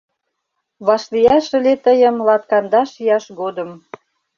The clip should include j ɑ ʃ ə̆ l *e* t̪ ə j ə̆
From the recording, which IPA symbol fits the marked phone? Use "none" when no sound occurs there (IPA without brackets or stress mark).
e